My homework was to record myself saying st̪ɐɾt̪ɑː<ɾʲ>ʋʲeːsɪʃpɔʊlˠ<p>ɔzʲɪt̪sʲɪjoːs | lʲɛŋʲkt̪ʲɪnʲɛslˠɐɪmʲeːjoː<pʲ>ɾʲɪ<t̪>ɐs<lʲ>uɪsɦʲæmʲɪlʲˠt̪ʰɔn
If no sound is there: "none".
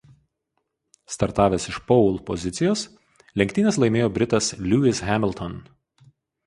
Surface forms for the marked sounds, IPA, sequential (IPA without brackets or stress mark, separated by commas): none, p, bʲ, t̪, lʲ